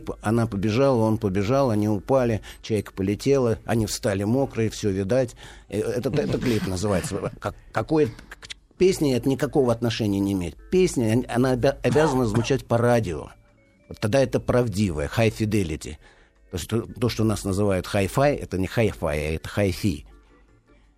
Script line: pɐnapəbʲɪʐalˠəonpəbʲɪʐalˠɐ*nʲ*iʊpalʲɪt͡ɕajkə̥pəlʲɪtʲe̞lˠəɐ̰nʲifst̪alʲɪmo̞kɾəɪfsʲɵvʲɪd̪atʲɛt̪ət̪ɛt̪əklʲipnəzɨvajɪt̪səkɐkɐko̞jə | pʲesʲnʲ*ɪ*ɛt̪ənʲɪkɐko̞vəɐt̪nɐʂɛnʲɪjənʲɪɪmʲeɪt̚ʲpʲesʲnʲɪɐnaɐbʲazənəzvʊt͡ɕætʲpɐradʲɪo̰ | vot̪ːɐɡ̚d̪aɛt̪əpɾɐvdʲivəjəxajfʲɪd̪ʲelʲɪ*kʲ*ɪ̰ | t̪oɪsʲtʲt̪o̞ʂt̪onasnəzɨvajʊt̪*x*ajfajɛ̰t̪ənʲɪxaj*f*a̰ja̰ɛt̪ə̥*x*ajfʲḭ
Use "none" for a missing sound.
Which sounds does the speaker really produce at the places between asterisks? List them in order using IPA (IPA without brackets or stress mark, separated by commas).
nʲ, ɪ, tʲ, x, f, x